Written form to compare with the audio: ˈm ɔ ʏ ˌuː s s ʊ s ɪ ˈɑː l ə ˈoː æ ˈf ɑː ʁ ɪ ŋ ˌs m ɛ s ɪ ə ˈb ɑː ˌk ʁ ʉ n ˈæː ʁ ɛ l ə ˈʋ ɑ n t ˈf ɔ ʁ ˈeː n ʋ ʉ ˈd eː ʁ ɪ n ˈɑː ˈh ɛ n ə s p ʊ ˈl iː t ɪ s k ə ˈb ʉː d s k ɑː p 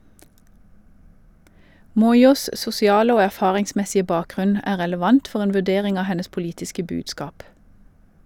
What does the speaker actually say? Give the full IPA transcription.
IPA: ˈm ɔ ʏ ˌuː s s ʊ s ɪ ˈɑː l ə ˈoː æ ˈf ɑː ʁ ɪ ŋ ˌs m ɛ s ɪ ə ˈb ɑː ˌk ʁ ʉ n ˈæː ʁ ɛ l ə ˈʋ ɑ n t ˈf ɔ ʁ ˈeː n ʋ ʉ ˈd eː ʁ ɪ ŋ ˈɑː ˈh ɛ n ə s p ʊ ˈl iː t ɪ s k ə ˈb ʉː d s k ɑː p